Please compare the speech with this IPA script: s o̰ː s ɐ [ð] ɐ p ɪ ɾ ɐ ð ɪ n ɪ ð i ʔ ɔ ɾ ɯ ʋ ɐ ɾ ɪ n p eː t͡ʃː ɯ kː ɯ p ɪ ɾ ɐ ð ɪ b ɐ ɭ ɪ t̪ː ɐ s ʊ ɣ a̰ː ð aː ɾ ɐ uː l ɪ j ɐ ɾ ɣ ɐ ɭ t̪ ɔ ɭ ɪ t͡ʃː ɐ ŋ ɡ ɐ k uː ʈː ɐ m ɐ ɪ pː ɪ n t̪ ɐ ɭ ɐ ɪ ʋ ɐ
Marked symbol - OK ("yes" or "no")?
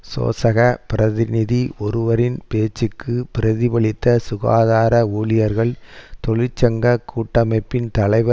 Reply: no